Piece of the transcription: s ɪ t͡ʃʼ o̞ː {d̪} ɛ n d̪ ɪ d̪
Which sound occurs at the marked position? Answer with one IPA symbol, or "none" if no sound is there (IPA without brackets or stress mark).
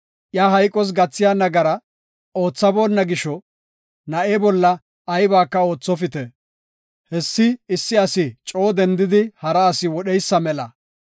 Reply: d̪